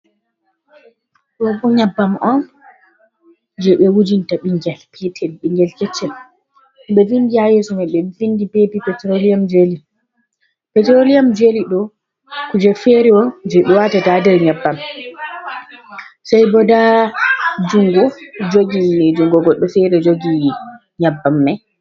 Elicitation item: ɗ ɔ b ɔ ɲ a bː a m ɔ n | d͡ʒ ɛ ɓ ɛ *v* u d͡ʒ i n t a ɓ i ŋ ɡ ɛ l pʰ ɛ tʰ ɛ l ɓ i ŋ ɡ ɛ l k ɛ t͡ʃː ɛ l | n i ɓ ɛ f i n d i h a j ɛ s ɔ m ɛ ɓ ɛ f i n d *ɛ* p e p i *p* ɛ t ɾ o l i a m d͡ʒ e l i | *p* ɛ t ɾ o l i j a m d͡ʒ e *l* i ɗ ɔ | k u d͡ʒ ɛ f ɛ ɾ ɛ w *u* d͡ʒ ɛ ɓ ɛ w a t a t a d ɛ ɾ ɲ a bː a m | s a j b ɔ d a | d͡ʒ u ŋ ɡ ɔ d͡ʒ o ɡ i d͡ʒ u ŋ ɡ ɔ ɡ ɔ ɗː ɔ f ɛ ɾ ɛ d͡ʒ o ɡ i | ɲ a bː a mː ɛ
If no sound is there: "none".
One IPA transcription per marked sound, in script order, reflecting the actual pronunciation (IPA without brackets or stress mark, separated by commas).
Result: w, i, p, p, l, ɔ